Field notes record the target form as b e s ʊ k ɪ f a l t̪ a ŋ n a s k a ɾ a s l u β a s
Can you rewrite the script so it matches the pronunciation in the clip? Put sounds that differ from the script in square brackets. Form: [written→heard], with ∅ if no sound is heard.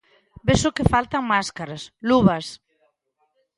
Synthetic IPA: b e s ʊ k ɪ f a l t̪ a ŋ [n→m] a s k a ɾ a s l u β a s